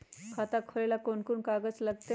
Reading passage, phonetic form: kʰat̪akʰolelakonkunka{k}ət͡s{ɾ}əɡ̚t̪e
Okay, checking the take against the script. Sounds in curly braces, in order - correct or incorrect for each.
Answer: incorrect: ɡ, incorrect: l

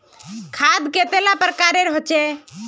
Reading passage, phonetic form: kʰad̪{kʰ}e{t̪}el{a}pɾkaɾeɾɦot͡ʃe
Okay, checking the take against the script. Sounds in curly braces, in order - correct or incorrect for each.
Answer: incorrect: k, correct, correct

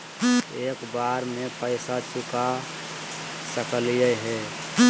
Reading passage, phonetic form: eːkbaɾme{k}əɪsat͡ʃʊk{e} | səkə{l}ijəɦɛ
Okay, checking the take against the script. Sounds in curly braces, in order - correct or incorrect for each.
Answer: incorrect: p, incorrect: a, correct

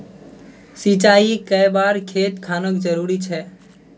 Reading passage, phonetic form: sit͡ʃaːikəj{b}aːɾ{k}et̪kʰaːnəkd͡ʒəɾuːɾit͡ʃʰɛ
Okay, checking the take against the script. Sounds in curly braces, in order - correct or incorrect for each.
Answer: correct, incorrect: kʰ

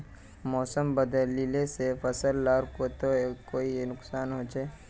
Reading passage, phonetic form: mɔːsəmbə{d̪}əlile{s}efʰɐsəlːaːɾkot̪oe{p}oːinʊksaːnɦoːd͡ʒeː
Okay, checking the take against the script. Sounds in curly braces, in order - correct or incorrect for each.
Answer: correct, correct, incorrect: k

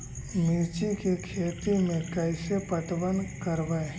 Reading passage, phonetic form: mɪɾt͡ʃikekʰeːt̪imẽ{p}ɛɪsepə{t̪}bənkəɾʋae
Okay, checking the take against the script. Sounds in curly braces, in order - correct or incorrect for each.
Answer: incorrect: k, correct

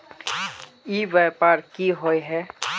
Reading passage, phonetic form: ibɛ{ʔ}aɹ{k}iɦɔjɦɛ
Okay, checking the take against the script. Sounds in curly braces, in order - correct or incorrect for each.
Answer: incorrect: p, correct

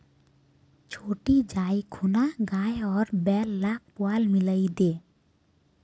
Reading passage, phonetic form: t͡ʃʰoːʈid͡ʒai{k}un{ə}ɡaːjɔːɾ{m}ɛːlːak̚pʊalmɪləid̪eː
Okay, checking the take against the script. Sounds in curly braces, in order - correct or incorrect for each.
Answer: incorrect: kʰ, incorrect: a, incorrect: b

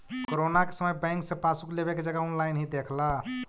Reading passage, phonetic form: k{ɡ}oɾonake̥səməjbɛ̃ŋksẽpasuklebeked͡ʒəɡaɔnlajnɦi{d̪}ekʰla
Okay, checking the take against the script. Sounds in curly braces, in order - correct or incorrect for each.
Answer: incorrect: k, correct

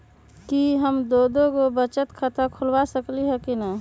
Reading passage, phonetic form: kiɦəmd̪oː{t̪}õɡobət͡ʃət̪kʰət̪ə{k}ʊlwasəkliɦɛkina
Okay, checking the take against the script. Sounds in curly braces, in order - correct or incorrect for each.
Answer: incorrect: d̪, incorrect: kʰ

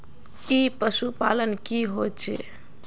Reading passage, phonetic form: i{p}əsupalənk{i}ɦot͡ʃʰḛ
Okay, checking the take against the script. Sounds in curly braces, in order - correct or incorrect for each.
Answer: correct, correct

